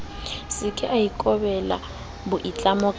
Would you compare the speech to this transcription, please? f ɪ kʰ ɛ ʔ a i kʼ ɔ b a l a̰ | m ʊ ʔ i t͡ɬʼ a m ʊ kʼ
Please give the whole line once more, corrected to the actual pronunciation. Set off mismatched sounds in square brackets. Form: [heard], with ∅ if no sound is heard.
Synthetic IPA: [s] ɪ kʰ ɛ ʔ a i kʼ ɔ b [ɛ] l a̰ | [b] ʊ ʔ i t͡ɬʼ a m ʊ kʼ